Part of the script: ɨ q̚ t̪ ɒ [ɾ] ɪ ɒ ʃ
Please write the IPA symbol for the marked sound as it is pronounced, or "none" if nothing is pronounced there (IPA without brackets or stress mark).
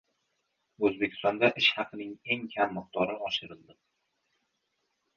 ɾ